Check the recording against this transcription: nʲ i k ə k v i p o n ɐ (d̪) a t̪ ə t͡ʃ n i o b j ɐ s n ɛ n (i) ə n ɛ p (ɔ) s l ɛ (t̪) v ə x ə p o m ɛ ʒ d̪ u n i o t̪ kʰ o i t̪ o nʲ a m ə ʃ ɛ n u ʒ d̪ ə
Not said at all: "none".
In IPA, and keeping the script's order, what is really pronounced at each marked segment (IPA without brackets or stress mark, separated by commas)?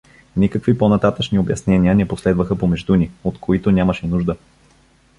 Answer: t̪, i, o, d̪